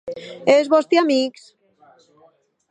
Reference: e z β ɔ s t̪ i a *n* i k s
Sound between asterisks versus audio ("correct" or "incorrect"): incorrect